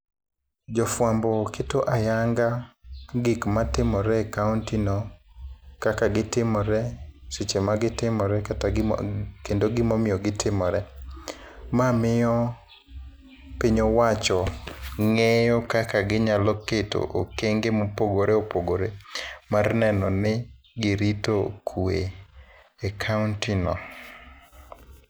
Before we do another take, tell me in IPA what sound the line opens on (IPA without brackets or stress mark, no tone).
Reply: d͡ʒ